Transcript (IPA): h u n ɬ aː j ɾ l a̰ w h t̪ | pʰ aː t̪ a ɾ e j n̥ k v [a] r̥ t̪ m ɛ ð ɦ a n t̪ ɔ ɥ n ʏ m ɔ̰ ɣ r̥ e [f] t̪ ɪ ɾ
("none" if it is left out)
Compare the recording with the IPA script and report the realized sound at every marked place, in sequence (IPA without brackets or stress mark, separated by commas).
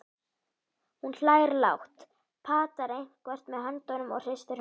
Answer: ɛ, s